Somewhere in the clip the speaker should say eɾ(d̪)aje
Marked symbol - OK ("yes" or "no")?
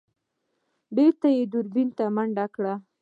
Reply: no